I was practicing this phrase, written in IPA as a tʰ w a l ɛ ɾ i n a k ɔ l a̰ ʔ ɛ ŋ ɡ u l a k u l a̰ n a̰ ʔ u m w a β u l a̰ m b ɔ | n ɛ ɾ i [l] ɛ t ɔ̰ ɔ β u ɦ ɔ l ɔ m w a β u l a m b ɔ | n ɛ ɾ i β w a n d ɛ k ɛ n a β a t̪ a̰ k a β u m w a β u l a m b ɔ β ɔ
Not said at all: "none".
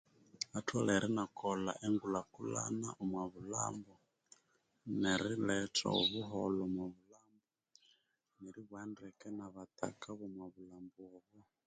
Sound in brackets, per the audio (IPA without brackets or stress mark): l